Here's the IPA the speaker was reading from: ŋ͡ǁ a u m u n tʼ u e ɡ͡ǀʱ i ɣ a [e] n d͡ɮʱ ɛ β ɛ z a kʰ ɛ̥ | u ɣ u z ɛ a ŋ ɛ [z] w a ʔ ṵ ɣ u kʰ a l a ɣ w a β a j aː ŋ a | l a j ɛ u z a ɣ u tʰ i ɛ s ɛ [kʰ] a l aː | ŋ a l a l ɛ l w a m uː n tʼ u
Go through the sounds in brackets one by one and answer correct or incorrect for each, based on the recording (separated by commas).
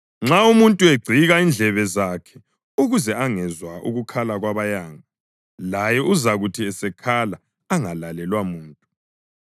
incorrect, correct, correct